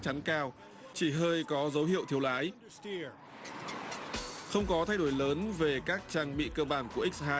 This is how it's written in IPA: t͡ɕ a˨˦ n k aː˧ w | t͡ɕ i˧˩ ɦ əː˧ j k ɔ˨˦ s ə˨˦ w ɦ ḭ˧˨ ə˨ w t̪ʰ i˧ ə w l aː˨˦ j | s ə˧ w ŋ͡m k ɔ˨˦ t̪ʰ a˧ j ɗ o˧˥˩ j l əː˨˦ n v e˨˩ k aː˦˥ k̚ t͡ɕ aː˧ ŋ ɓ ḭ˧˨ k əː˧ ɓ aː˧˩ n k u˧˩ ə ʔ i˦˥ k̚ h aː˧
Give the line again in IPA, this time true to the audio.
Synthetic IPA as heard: t͡ɕ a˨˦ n k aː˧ w | t͡ɕ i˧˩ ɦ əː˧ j k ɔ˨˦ z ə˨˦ w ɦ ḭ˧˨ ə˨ w t̪ʰ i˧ ə w l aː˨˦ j | x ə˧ w ŋ͡m k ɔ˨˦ t̪ʰ a˧ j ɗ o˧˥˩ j l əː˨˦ n v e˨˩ k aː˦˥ k̚ t͡ɕ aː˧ ŋ ɓ ḭ˧˨ k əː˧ ɓ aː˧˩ n k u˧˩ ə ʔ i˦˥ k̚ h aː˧